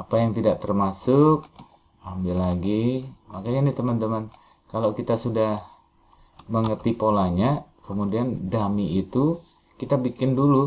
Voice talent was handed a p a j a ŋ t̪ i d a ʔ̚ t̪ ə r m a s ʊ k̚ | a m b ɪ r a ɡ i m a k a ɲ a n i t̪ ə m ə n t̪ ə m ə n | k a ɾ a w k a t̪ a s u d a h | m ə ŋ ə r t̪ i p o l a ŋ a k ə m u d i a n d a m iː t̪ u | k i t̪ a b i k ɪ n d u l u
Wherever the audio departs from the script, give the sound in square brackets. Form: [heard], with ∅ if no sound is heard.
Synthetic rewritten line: a p a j a ŋ t̪ i d a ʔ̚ t̪ ə r m a s ʊ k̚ | a m b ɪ [l] a ɡ i m a k a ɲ a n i t̪ ə m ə n t̪ ə m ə n | k a [l] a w k [i] t̪ a s u d a h | m ə ŋ ə r t̪ i p o l a [ɲ] a k ə m u d i a n d a m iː t̪ u | k i t̪ a b i k ɪ n d u l u